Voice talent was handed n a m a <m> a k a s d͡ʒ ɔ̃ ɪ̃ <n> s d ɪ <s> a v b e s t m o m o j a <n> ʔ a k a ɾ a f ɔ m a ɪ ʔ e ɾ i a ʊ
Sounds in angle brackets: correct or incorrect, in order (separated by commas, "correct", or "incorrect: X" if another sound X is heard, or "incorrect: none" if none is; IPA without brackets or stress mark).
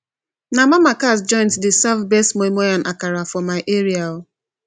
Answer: correct, correct, correct, correct